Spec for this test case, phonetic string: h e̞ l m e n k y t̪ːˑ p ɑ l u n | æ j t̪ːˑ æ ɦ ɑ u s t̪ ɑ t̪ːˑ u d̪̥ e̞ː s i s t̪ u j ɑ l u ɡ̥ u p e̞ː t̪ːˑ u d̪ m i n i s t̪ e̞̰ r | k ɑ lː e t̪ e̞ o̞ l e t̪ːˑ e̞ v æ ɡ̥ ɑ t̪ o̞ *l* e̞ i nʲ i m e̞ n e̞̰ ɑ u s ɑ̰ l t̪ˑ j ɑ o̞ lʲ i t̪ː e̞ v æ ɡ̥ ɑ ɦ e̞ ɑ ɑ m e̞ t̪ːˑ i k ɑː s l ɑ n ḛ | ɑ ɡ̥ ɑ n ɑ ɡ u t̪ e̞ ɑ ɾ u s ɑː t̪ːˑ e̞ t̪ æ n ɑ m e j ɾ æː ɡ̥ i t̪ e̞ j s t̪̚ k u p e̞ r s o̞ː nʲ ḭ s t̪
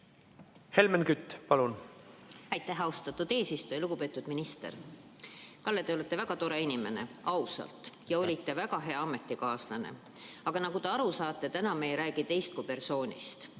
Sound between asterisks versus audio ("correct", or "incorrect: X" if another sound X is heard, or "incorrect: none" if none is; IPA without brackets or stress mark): incorrect: ɾ